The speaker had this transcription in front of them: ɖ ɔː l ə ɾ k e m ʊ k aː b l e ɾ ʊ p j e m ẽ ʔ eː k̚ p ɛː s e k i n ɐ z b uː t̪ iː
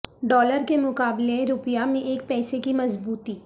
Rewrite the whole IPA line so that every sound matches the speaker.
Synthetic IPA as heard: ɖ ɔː l ə ɾ k e m ʊ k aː b l e ɾ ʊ p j a m ẽ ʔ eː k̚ p ɛː s e k i m ɐ z b uː t̪ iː